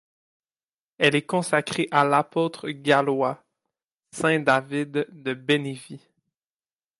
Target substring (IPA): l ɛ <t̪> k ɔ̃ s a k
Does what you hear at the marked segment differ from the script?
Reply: yes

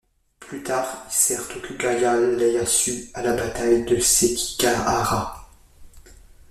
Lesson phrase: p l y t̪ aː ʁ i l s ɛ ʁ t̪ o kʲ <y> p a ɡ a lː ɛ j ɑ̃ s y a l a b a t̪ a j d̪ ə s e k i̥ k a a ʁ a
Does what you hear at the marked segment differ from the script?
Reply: no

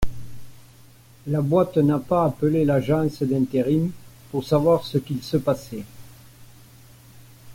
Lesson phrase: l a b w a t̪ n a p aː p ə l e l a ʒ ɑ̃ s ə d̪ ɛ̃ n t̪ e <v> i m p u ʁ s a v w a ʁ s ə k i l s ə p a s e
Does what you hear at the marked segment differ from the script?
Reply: yes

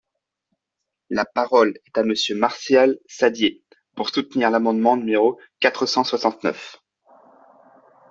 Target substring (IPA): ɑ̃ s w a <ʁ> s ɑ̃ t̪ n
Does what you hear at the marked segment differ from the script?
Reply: yes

